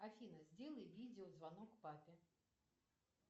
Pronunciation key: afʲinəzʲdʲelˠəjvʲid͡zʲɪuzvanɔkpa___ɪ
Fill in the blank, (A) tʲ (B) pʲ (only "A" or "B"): B